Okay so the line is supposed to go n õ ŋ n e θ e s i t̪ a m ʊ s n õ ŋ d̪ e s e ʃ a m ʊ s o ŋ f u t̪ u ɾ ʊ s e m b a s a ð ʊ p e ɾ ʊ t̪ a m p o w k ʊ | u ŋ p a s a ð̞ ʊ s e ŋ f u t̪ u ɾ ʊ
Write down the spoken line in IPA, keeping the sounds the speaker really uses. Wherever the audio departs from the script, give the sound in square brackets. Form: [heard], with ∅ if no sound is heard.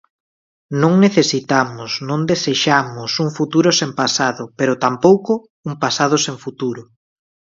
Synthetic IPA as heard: n õ ŋ n e θ e s i t̪ a m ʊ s n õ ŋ d̪ e s e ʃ a m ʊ s [u] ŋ f u t̪ u ɾ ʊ s e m [p] a s a ð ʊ p e ɾ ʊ t̪ a m p o w k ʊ | u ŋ p a s a ð̞ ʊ s e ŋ f u t̪ u ɾ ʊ